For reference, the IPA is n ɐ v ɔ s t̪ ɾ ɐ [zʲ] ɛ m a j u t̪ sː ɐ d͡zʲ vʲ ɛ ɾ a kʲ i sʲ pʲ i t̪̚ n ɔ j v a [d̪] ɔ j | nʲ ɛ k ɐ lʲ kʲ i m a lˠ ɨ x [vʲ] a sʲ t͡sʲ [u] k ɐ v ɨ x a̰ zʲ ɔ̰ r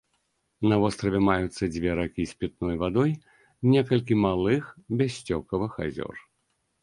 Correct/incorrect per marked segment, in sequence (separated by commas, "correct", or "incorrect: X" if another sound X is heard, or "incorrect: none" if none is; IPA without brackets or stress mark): incorrect: vʲ, correct, incorrect: bʲ, incorrect: ɔ